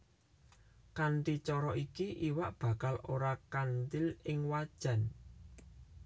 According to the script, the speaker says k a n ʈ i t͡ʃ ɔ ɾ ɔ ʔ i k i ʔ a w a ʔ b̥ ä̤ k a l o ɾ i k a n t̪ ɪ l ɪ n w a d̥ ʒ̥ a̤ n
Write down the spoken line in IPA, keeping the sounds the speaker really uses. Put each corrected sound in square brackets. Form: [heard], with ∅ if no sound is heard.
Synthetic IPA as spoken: k a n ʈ i t͡ʃ ɔ ɾ ɔ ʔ i k i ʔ [i] w a ʔ b̥ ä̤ k a l o ɾ [a] k a n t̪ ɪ l ɪ [ŋ] w a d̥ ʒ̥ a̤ n